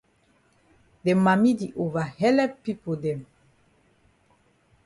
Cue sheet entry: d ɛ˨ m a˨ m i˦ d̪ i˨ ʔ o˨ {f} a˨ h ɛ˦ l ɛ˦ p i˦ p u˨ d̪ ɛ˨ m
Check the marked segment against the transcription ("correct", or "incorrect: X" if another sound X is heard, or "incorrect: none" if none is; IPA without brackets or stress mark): incorrect: v